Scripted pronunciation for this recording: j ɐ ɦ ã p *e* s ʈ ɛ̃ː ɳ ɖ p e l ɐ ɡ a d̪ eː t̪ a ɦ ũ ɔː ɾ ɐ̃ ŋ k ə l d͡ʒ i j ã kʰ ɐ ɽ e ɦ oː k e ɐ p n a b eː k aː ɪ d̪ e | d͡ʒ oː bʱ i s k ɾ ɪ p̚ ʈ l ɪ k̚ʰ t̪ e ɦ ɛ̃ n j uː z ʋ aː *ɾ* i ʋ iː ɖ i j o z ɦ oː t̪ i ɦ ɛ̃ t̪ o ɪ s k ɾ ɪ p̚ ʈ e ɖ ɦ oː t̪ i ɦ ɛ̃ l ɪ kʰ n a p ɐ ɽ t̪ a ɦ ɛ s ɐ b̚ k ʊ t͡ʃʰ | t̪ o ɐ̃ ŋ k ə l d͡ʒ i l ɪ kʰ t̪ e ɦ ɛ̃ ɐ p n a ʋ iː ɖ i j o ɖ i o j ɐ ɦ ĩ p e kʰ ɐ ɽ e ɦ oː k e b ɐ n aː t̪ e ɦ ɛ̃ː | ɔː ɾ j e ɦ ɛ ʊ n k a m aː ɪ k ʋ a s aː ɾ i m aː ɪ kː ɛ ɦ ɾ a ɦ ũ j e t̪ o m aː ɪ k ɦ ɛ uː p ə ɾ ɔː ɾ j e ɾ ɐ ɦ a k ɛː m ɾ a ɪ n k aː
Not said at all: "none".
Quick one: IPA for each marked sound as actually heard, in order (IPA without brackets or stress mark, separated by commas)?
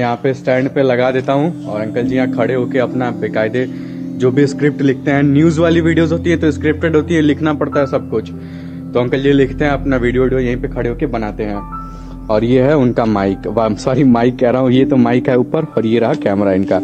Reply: e, l